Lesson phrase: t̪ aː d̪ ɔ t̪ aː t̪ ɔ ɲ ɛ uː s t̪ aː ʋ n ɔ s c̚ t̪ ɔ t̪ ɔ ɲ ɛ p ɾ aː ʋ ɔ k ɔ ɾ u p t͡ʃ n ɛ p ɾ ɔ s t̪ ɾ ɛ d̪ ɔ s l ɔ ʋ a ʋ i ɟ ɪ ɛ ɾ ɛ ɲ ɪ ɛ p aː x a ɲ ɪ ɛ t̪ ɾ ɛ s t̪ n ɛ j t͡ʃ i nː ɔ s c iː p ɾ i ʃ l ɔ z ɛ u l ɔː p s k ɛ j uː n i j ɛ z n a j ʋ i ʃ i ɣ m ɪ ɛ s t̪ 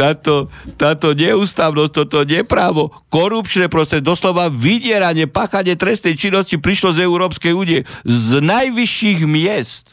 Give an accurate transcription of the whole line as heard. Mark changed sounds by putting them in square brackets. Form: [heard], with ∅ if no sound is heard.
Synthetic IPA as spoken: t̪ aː [t̪] ɔ t̪ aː t̪ ɔ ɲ ɛ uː s t̪ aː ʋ n ɔ s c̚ t̪ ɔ t̪ ɔ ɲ ɛ p ɾ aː ʋ ɔ k ɔ ɾ u p t͡ʃ n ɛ p ɾ ɔ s t̪ ɾ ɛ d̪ ɔ s l ɔ ʋ a ʋ i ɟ ɪ ɛ ɾ [a] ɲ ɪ ɛ p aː x a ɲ ɪ ɛ t̪ ɾ ɛ s t̪ n ɛ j t͡ʃ i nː ɔ s c [i] p ɾ i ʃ l ɔ z ɛ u [ɾ] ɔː p s k ɛ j uː n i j ɛ z n a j ʋ i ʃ i ɣ m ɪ ɛ s t̪